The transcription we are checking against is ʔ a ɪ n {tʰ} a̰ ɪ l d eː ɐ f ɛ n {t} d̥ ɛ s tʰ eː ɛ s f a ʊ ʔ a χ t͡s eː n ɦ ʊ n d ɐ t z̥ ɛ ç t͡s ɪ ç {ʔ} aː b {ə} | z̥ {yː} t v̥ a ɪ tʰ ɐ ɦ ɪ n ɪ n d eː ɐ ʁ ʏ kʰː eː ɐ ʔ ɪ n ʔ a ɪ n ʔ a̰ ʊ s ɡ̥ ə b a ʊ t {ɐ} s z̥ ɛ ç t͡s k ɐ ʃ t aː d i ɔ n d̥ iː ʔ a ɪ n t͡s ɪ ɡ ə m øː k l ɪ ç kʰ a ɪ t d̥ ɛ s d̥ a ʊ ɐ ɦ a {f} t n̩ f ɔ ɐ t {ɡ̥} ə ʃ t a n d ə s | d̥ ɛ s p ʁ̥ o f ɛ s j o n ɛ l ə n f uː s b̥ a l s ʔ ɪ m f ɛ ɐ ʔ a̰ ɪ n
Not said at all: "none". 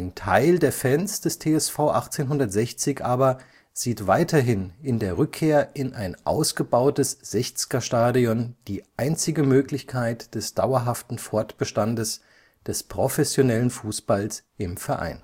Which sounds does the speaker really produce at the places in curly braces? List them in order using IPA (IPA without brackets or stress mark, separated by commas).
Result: tʰ, s, ʔ, ɐ, iː, ə, f, b̥